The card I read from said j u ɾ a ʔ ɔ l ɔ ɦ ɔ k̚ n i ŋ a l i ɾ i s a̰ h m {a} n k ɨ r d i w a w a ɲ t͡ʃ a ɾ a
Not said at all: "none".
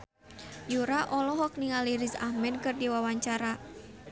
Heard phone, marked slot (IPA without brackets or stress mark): ɛ